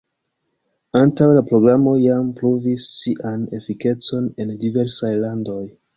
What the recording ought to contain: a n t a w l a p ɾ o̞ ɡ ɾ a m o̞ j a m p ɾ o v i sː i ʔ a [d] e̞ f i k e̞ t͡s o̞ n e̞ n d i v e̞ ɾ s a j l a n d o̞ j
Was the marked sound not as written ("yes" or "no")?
yes